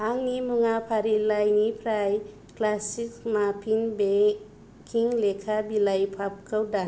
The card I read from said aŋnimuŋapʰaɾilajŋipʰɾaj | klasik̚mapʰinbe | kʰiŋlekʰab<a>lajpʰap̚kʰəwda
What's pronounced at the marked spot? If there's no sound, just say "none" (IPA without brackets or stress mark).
i